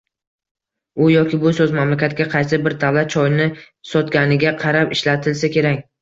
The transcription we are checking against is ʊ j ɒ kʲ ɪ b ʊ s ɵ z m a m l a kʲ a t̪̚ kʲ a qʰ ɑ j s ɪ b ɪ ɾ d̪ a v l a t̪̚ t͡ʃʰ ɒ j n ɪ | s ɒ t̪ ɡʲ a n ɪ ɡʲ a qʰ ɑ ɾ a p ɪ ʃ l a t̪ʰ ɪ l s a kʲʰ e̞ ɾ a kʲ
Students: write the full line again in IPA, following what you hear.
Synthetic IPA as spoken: ʊ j ɒ kʲ ɪ b ʊ s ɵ z m a m l a kʲ a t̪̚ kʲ a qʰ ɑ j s ɪ b ɪ ɾ d̪ a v l a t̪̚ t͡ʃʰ ɒ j n ɪ | s ɒ t̪ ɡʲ a n ɪ ɡʲ a qʰ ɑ ɾ a p ɪ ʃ l a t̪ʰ ɪ l s a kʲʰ e̞ ɾ a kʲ